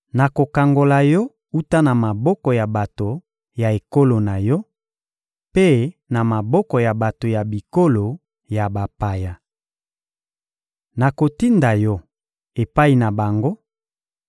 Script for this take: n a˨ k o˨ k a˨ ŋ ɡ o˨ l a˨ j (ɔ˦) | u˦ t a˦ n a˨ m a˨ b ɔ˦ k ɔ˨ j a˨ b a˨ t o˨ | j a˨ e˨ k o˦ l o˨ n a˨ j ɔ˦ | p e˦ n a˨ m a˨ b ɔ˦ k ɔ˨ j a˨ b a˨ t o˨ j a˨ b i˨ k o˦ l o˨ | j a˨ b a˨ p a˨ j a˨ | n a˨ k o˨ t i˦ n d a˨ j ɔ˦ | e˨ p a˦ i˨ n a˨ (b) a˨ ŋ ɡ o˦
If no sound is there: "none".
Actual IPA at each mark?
ɔ˦, b

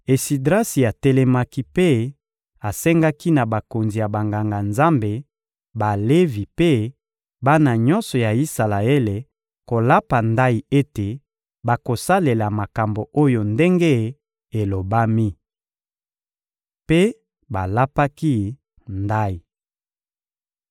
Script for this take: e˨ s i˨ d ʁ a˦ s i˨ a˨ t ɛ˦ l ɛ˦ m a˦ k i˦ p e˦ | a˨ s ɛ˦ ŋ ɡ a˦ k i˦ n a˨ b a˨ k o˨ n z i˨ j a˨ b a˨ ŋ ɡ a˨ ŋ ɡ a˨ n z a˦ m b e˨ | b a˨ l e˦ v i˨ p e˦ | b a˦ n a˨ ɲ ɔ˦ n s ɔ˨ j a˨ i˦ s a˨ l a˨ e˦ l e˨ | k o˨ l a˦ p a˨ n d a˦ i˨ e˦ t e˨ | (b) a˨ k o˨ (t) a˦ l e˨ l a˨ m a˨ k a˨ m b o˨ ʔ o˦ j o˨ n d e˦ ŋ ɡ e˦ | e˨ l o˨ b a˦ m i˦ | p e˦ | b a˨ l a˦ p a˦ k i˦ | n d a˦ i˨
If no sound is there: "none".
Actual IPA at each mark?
b, s

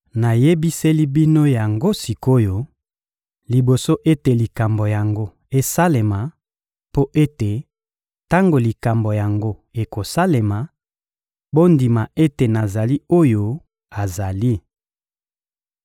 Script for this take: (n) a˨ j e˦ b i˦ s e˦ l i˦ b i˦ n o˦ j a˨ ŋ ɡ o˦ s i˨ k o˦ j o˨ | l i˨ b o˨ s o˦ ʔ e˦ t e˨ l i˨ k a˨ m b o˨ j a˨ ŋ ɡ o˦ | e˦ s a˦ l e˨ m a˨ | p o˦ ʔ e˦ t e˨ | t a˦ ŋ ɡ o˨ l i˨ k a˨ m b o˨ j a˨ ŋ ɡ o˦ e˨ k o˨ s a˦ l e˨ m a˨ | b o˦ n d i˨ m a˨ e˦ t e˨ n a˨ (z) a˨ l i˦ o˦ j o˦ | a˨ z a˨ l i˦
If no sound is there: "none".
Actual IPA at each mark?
n, z

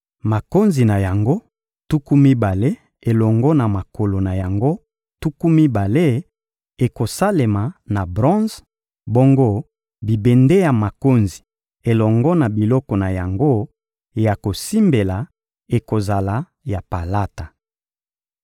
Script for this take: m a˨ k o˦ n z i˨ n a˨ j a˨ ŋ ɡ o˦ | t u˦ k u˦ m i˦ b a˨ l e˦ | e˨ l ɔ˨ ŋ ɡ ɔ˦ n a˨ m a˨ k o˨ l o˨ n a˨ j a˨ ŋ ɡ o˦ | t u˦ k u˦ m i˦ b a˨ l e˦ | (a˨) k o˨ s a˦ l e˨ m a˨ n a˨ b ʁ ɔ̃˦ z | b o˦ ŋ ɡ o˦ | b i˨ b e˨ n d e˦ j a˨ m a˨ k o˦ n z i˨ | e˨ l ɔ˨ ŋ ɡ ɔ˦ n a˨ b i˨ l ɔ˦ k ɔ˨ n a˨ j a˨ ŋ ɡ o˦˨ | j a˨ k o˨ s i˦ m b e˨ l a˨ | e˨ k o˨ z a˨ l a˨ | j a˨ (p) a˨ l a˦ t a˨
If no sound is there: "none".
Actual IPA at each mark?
e˨, p

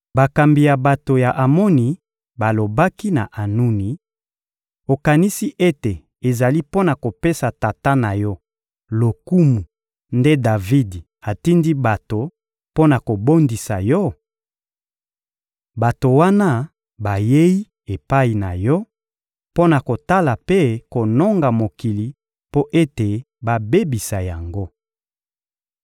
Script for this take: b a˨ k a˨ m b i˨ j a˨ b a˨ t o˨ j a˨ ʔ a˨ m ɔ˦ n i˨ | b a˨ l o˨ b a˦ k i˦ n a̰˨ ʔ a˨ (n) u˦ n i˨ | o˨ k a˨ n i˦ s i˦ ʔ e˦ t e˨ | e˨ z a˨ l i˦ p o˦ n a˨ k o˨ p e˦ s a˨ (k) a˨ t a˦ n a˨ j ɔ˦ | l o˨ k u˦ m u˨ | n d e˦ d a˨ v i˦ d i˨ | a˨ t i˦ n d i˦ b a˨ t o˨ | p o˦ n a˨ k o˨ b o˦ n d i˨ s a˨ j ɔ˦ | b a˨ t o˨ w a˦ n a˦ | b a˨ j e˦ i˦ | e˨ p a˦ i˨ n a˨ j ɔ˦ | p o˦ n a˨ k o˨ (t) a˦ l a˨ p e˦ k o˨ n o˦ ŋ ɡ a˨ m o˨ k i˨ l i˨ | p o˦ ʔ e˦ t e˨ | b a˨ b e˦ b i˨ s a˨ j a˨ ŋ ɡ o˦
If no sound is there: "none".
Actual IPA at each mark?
n, t, t

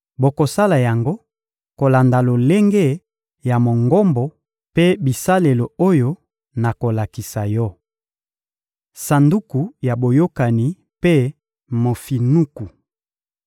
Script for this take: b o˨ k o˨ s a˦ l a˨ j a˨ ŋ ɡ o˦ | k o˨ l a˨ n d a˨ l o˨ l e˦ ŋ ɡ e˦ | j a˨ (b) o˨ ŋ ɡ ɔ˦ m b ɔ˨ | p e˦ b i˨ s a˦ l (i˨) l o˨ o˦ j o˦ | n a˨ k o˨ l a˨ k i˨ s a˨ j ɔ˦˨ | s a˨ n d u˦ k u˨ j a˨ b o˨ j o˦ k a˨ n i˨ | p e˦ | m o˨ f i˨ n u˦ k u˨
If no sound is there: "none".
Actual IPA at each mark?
m, e˨

